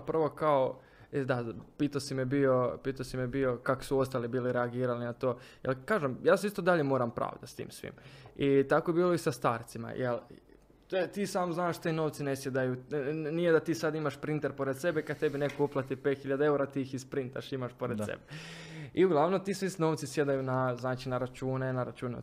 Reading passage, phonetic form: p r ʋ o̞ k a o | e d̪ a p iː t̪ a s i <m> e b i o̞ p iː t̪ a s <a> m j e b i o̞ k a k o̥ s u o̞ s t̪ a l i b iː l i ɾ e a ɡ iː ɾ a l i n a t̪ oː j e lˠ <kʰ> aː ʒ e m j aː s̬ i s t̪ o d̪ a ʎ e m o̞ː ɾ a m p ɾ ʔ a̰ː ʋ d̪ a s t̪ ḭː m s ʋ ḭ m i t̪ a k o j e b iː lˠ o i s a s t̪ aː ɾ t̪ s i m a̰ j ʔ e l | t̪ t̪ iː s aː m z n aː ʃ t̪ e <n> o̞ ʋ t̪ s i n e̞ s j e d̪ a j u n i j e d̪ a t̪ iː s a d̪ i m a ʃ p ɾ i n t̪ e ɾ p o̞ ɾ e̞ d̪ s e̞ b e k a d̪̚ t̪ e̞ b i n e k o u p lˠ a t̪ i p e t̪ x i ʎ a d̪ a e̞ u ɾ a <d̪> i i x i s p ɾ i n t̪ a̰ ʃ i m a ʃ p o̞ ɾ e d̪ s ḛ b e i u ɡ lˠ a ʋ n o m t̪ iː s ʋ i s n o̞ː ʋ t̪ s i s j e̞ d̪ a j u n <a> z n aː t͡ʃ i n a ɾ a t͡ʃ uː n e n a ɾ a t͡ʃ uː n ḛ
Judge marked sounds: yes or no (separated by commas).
yes, no, no, yes, no, yes